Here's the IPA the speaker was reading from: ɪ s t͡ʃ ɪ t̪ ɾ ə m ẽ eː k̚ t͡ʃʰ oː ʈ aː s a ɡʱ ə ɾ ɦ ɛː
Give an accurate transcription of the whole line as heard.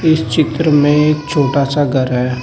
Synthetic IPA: ɪ s t͡ʃ ɪ t̪ ɾ ə m ẽ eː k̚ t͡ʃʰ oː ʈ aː s a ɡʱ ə ɾ ɦ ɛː